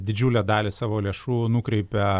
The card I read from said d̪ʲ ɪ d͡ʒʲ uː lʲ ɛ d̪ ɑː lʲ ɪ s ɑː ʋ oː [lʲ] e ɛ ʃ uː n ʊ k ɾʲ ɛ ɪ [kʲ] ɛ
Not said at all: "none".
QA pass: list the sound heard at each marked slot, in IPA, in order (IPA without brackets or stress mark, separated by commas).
lʲ, pʲ